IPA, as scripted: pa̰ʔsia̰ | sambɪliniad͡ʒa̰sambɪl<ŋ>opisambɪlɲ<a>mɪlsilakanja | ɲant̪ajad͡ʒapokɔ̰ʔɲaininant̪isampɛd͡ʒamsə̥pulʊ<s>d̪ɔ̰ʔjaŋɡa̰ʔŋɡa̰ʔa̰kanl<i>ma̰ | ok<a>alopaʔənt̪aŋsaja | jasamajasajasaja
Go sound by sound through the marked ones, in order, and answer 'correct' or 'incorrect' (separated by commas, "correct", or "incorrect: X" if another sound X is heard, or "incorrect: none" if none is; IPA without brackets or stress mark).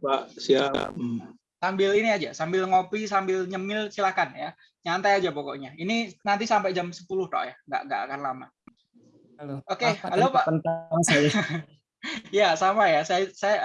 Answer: correct, incorrect: ə, incorrect: h, incorrect: a, incorrect: e